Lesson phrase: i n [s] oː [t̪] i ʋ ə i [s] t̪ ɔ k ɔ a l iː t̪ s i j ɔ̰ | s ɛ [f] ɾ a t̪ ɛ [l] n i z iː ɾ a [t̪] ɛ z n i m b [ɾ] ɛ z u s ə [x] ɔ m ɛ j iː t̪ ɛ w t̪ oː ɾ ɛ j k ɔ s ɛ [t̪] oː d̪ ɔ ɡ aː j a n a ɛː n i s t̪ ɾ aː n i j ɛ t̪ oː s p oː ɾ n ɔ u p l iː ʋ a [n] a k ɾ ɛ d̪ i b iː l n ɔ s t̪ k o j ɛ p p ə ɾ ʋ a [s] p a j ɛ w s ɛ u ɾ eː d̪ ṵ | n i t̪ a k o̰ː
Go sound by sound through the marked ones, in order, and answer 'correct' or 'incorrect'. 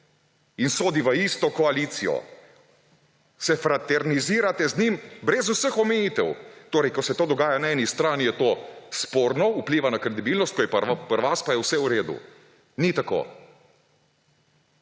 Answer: correct, incorrect, correct, correct, incorrect, correct, correct, correct, correct, correct, correct

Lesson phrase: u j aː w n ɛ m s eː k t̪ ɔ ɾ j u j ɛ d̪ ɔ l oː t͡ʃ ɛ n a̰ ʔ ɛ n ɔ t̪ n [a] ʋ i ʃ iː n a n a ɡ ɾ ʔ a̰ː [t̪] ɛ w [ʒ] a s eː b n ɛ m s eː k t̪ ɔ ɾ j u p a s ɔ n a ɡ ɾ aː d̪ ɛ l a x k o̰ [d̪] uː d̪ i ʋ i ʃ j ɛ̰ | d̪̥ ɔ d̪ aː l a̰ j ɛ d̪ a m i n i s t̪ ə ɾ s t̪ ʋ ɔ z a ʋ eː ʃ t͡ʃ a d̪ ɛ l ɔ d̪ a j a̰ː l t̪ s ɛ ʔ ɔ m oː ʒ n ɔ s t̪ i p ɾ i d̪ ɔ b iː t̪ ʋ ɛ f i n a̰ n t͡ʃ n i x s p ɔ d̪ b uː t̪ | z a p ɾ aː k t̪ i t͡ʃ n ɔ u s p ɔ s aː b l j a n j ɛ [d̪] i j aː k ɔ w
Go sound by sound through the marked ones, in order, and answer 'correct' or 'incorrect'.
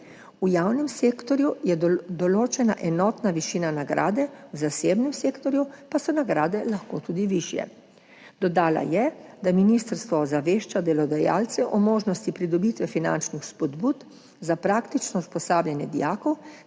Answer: correct, incorrect, incorrect, incorrect, correct

